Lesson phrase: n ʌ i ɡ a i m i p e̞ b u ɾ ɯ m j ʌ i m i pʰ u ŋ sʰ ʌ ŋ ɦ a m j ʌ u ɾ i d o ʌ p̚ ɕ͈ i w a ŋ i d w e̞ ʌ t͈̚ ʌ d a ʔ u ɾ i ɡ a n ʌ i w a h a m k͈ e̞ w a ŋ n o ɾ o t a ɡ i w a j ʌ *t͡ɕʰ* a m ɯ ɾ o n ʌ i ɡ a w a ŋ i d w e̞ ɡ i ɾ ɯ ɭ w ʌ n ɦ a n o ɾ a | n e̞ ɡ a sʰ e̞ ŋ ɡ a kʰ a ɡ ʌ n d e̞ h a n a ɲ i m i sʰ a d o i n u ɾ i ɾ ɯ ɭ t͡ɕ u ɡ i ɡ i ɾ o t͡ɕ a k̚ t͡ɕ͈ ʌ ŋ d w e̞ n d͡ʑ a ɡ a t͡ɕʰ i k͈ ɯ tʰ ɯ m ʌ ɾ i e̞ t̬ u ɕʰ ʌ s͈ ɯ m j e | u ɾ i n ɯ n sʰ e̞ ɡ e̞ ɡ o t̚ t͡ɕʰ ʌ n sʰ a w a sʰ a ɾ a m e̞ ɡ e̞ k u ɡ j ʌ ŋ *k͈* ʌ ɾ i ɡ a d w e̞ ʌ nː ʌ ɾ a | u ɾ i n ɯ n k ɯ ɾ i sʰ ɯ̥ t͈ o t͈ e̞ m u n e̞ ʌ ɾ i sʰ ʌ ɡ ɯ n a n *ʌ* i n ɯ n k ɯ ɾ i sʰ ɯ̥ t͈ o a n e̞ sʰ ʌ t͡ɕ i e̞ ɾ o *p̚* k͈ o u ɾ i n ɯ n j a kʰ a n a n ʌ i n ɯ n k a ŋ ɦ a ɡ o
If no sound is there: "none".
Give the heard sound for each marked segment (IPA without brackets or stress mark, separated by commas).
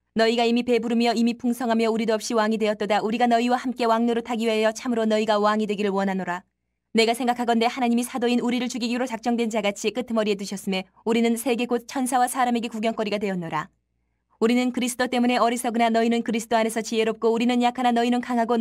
t͡ɕʰ, k͈, ʌ, p̚